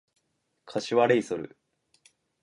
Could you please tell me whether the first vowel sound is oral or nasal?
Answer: oral